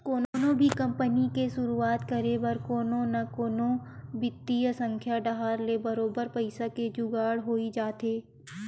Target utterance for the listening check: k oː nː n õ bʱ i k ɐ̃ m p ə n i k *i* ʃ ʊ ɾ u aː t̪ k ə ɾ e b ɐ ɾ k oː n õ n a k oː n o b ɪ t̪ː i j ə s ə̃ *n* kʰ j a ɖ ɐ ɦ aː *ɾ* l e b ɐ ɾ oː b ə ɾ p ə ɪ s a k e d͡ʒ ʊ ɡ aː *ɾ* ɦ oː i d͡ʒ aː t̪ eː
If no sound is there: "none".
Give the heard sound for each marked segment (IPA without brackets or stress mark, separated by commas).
e, ŋ, ɾ, ɽ